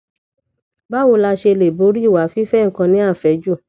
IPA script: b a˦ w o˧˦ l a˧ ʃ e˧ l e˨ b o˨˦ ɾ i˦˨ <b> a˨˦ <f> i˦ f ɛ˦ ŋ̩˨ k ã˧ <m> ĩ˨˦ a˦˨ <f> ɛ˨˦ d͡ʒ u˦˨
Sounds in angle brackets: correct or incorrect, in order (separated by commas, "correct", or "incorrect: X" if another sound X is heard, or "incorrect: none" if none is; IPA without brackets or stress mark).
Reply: incorrect: w, correct, incorrect: n, correct